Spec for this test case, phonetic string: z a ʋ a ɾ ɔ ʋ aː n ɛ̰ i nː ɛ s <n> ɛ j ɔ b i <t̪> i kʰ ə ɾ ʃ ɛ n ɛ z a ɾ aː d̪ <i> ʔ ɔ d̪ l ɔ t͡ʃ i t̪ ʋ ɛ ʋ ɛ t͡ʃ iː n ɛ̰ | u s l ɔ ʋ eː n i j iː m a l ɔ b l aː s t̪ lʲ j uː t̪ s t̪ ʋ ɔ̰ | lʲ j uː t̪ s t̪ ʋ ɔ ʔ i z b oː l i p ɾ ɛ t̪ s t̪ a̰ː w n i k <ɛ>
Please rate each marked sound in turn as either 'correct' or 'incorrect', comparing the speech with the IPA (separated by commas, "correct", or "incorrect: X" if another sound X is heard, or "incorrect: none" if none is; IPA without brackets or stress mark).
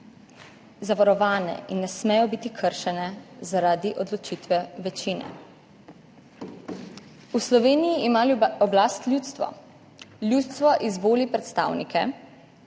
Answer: incorrect: m, correct, correct, correct